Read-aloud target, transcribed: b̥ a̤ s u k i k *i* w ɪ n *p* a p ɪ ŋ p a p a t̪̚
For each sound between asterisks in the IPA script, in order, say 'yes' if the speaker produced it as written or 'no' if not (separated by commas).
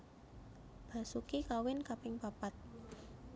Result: no, no